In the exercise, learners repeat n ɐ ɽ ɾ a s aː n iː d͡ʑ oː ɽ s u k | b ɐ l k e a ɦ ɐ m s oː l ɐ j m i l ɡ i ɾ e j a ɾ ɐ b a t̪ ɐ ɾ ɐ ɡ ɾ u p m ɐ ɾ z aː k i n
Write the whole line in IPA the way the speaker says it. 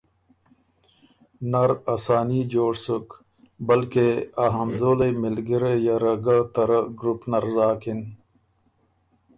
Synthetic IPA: n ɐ ɾ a s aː n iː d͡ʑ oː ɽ s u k | b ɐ l k e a ɦ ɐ m z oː l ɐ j m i l ɡ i ɾ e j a ɾ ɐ ɡ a t̪ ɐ ɾ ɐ ɡ ɾ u p n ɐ ɾ z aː k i n